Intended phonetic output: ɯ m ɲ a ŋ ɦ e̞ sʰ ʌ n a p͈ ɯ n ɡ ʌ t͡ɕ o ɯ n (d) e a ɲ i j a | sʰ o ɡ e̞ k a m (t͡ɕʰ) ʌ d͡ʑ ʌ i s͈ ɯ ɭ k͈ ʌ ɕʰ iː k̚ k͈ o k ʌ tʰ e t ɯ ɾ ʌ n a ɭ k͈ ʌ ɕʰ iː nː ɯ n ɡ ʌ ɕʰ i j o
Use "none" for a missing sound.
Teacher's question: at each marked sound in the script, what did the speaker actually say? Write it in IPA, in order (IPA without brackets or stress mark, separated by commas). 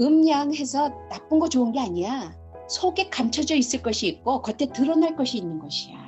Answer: ɡ, t͡ɕʰ